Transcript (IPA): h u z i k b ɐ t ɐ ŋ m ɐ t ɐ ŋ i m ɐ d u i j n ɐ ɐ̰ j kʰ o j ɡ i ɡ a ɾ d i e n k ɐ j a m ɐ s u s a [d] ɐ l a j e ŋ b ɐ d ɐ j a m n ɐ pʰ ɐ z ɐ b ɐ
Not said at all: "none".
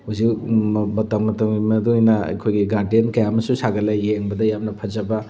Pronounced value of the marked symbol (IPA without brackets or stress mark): ɡ